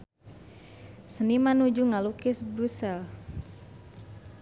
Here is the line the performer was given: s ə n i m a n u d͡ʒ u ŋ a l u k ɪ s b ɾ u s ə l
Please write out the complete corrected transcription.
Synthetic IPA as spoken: s ə n i m a n u d͡ʒ u ŋ a l u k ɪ s b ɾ u s a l